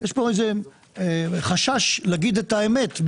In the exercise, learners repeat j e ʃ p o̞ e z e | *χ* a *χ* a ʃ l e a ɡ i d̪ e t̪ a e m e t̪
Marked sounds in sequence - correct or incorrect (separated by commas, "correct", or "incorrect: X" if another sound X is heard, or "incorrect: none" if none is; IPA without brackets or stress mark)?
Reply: correct, incorrect: ʃ